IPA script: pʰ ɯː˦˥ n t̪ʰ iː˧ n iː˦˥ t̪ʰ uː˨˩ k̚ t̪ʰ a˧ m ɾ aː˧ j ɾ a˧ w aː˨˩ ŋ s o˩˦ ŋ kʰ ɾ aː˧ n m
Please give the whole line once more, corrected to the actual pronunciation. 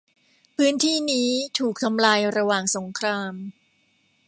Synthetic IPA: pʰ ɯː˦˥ n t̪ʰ iː˥˩ n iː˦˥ t̪ʰ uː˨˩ k̚ t̪ʰ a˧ m l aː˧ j ɾ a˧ w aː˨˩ ŋ s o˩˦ ŋ kʰ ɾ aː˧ m